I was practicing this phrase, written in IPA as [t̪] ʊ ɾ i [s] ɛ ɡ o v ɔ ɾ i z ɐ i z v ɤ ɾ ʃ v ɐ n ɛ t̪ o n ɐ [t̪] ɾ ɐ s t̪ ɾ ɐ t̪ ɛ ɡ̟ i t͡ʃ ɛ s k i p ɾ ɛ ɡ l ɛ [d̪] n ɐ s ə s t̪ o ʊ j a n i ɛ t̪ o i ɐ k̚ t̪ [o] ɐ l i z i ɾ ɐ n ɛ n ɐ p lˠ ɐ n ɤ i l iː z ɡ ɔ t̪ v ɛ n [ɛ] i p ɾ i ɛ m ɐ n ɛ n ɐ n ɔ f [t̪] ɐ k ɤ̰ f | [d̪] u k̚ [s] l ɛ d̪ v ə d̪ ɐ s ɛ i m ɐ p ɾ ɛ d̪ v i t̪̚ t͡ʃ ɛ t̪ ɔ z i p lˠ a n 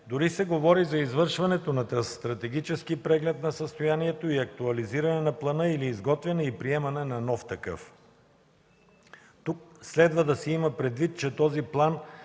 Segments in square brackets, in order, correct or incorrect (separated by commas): incorrect, correct, correct, incorrect, incorrect, correct, correct, incorrect, correct